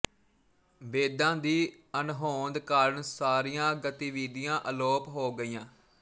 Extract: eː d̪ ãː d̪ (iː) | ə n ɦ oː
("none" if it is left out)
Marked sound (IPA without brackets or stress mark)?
iː